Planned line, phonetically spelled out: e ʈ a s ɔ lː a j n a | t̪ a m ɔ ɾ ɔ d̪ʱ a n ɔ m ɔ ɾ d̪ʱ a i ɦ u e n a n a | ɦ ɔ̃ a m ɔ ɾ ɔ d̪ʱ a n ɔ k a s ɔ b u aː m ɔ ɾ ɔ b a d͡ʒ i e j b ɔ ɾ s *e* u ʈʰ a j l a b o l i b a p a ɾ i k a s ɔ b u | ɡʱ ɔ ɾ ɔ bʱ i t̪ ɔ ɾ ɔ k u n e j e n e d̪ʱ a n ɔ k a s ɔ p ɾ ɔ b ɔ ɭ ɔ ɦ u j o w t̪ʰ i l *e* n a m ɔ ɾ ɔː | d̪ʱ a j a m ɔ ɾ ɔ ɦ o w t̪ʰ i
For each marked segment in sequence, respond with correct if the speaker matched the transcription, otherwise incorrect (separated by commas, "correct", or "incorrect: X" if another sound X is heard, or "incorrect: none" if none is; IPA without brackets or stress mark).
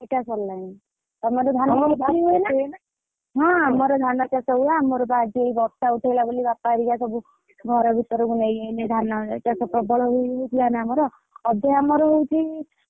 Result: incorrect: a, incorrect: a